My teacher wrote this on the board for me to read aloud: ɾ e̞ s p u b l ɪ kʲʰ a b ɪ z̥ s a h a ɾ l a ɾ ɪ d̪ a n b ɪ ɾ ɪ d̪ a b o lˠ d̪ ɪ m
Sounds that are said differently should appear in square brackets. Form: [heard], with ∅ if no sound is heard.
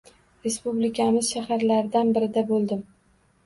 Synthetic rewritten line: ɾ e̞ s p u b l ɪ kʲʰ a [m] ɪ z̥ [ʃ] a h a ɾ l a ɾ ɪ d̪ a n b ɪ ɾ ɪ d̪ a b o lˠ d̪ ɪ m